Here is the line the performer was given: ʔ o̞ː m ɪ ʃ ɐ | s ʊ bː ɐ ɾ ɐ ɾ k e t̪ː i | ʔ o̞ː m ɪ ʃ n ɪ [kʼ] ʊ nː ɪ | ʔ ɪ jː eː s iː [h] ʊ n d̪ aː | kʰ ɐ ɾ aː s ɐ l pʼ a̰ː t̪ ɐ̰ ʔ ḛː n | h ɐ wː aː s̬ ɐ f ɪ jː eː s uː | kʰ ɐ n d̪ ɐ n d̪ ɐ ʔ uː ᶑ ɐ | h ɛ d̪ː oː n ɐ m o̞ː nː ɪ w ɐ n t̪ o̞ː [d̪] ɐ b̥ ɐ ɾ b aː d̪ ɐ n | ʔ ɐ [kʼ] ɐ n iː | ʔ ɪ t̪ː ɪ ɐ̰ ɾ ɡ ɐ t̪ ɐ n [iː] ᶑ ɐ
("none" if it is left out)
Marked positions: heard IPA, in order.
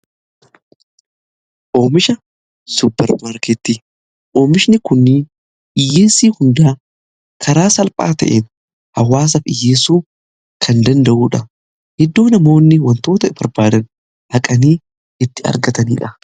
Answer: k, h, t̪, kʼ, iː

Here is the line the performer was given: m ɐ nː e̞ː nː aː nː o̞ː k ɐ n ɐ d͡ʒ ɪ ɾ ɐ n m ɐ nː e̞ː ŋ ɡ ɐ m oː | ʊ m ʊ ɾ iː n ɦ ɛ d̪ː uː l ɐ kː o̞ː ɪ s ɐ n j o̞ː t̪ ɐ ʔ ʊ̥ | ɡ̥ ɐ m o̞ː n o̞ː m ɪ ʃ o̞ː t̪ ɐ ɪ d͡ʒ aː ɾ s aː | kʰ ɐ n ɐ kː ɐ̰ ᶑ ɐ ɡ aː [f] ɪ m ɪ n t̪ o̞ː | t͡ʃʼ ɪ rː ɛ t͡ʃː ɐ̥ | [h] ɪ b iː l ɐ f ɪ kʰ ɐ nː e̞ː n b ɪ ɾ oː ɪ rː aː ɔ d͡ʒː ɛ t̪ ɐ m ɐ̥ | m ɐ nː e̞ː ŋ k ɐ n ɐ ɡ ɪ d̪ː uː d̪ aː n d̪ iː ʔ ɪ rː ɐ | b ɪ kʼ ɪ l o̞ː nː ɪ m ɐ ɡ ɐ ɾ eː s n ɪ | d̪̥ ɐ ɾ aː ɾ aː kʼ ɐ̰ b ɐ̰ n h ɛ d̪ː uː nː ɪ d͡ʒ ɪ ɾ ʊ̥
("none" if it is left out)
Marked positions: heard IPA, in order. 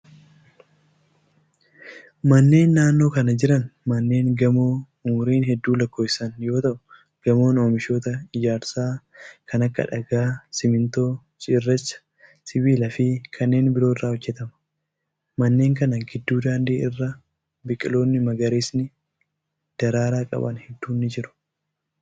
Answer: s, s

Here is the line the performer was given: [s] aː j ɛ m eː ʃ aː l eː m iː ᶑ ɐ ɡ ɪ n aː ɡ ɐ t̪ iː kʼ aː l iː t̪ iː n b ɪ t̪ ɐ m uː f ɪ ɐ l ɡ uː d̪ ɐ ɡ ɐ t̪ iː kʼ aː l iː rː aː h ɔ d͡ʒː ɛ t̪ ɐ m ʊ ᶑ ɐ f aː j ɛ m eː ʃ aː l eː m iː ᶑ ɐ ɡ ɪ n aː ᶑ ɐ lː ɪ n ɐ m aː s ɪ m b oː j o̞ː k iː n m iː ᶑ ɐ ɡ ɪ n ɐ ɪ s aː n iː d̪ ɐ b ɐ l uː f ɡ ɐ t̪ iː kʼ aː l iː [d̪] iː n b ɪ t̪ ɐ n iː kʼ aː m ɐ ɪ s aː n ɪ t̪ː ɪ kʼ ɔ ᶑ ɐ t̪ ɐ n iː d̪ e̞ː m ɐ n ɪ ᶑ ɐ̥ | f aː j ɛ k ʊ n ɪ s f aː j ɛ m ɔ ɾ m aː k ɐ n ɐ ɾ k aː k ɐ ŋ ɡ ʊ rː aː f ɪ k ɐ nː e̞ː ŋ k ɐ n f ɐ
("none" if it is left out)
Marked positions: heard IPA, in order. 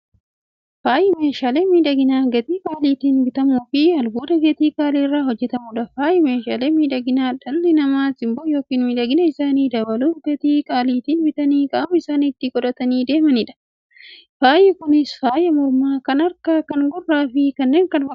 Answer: f, t̪

